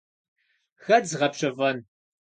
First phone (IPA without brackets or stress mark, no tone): x